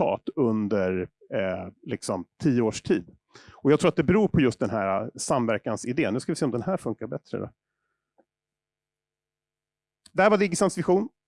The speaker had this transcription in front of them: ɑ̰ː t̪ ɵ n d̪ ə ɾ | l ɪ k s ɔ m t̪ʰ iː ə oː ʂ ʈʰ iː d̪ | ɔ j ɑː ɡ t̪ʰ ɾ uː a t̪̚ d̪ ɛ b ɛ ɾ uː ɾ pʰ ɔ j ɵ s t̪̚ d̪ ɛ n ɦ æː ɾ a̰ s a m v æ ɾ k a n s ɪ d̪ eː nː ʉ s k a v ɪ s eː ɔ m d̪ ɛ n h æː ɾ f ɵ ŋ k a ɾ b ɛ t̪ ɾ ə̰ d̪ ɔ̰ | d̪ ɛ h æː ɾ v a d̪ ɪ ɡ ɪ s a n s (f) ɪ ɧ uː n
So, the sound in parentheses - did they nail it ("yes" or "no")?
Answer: no